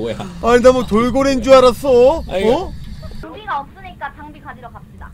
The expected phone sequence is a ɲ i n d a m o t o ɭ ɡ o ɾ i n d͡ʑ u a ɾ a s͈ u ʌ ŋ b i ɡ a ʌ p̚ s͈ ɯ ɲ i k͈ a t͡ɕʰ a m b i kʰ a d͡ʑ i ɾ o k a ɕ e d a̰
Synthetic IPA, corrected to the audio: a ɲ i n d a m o t o ɭ ɡ o ɾ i n d͡ʑ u a ɾ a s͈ o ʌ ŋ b i ɡ a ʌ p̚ s͈ ɯ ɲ i k͈ a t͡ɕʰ a ŋ b i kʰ a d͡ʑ i ɾ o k a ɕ i d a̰